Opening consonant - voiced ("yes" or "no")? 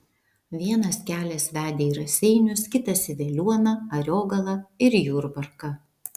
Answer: yes